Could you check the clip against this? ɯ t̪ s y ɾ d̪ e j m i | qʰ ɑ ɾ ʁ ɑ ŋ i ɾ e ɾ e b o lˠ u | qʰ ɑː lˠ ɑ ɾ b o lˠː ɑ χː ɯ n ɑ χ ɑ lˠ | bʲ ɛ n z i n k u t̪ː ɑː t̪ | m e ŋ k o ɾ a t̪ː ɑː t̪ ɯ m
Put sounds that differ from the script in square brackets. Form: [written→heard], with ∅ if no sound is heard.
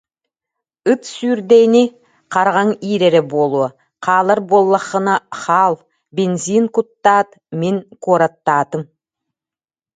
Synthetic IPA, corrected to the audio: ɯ t̪ s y ɾ d̪ e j [m→n] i | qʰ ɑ ɾ ʁ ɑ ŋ i ɾ e ɾ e b o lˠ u | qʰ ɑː lˠ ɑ ɾ b o lˠː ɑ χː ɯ n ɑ χ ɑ lˠ | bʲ [ɛ→e] n z i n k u t̪ː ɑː t̪ | m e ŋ k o ɾ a t̪ː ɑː t̪ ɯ m